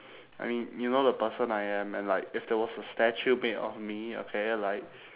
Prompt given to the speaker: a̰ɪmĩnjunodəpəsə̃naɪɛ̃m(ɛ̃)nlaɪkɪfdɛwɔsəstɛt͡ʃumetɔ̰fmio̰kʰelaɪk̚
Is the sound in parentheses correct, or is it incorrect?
correct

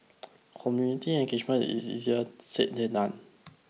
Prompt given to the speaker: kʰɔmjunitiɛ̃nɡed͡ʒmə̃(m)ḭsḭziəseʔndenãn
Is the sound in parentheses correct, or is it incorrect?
incorrect: n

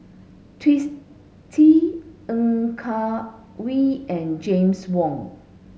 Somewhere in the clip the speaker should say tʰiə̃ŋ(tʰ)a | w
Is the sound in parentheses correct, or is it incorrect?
incorrect: kʰ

